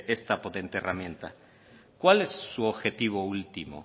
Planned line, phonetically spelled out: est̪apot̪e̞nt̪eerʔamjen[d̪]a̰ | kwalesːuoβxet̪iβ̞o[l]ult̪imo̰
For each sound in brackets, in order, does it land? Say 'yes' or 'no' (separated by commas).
no, no